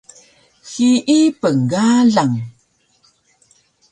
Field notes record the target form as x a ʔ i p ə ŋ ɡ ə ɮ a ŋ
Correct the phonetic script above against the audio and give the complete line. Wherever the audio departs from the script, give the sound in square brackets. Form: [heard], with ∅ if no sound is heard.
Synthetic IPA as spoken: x [i] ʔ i p ə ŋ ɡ [a] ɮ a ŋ